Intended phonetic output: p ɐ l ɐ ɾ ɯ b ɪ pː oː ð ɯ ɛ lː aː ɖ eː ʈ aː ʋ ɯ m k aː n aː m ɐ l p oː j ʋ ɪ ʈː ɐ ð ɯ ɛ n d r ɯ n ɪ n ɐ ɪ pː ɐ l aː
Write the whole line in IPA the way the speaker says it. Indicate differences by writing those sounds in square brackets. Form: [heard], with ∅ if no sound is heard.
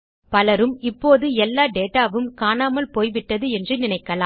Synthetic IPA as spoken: p ɐ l ɐ ɾ ɯ [m] ɪ pː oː ð ɯ ɛ lː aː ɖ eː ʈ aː ʋ ɯ m k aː n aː m ɐ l p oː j ʋ ɪ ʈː ɐ ð ɯ ɛ n d r ɯ n ɪ n ɐ ɪ [kː] ɐ l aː